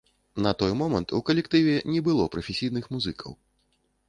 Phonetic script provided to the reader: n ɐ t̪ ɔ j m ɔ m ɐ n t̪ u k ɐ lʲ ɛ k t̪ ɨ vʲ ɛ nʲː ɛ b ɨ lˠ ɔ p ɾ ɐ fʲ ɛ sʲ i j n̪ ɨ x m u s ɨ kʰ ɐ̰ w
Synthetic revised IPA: n ɐ t̪ ɔ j m ɔ m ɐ n t̪ u k ɐ lʲ ɛ k t̪ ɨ vʲ ɛ nʲ ɛ b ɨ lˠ ɔ p ɾ ɐ fʲ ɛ sʲ i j n̪ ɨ x m u z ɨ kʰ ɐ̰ w